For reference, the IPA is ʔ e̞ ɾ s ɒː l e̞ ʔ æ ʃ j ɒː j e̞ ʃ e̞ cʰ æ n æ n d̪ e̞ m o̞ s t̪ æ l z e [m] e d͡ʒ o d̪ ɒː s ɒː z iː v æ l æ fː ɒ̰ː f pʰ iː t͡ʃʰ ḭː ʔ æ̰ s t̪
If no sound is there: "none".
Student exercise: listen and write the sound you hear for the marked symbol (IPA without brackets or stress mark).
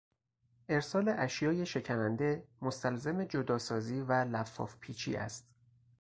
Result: m